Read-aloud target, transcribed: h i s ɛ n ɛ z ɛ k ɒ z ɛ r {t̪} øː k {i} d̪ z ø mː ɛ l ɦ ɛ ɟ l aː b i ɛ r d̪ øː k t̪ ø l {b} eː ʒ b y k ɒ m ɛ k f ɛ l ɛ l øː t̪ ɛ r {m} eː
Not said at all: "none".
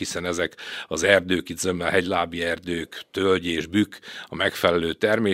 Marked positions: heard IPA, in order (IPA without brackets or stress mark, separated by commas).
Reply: d̪, i, ɟ, m